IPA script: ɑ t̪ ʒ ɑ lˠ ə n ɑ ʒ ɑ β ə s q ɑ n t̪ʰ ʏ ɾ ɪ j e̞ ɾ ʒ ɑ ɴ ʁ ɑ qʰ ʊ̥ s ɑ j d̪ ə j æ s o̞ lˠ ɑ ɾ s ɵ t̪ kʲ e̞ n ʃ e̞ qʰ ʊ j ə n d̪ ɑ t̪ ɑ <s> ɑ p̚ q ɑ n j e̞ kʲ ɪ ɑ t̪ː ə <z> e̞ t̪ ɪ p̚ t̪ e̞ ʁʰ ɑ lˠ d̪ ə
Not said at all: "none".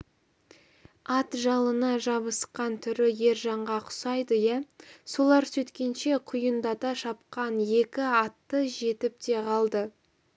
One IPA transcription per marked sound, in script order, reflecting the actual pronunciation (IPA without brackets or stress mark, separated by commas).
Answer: ʃ, ʒ